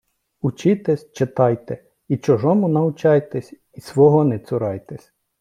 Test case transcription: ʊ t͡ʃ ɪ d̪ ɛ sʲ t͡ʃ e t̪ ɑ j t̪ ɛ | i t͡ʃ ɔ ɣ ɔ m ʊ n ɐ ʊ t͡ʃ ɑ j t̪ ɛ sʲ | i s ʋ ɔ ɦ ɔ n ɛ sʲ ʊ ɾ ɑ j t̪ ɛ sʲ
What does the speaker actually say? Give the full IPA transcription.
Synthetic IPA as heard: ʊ t͡ʃ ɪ t̪ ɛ sʲ t͡ʃ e t̪ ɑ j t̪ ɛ | i t͡ʃ ɔ ʒ ɔ m ʊ n ɐ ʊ t͡ʃ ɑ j t̪ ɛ sʲ | i s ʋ ɔ ɦ ɔ n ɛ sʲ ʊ ɾ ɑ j t̪ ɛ sʲ